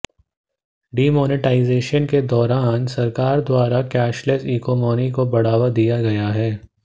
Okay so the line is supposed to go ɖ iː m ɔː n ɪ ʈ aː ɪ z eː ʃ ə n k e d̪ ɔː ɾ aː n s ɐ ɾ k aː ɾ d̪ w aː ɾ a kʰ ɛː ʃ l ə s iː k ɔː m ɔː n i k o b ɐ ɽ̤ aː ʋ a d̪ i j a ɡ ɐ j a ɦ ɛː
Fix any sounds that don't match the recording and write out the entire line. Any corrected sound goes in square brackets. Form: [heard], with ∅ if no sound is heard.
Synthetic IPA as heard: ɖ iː m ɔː n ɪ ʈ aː ɪ z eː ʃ ə n k e d̪ ɔː ɾ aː n s ɐ ɾ k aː ɾ d̪ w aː ɾ a [k] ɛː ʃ l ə s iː k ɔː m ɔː n i k o b ɐ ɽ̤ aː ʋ a d̪ i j a ɡ ɐ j a ɦ ɛː